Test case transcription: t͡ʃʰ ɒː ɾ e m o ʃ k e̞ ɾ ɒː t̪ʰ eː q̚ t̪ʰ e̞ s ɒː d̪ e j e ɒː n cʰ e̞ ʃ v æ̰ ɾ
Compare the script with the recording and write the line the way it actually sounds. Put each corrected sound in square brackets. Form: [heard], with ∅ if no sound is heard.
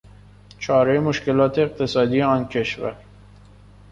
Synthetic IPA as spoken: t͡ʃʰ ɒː ɾ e m o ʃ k e̞ [l] ɒː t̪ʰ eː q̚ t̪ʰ e̞ s ɒː d̪ [i] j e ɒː n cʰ e̞ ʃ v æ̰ ɾ